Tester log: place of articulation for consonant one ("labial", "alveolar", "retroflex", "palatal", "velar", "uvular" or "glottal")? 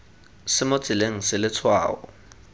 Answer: alveolar